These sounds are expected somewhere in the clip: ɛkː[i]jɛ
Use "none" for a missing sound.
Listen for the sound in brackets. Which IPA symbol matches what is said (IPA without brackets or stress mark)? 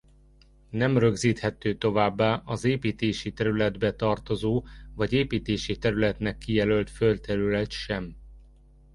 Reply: i